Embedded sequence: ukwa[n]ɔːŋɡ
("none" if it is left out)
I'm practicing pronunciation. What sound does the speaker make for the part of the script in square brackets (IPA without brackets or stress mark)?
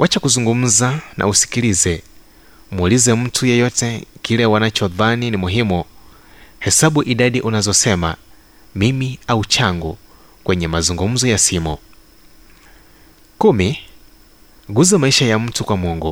m